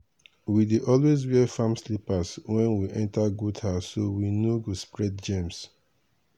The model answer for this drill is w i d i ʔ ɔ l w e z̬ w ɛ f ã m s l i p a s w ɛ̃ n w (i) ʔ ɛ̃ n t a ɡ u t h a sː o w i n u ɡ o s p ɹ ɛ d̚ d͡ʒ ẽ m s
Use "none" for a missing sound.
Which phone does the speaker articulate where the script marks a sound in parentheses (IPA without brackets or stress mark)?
i